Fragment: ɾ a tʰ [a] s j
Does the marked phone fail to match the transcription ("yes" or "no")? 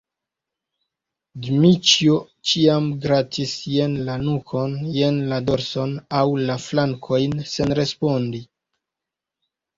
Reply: yes